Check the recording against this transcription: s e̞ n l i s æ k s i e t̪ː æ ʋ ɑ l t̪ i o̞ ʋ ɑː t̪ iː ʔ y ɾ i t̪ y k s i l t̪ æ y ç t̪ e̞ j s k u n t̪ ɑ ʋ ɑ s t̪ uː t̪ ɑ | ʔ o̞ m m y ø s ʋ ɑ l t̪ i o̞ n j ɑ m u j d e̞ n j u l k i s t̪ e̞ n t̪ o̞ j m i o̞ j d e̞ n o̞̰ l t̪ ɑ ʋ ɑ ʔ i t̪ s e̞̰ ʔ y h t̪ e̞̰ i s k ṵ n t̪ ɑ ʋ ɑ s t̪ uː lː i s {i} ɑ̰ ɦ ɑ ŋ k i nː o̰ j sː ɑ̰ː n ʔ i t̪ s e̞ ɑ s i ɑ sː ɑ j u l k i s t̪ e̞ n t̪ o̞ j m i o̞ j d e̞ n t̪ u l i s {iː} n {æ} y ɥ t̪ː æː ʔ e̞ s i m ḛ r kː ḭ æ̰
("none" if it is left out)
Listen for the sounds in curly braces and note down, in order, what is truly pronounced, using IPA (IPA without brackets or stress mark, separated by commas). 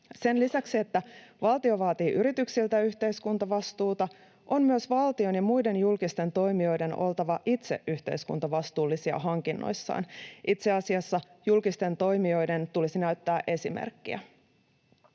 i, i, æ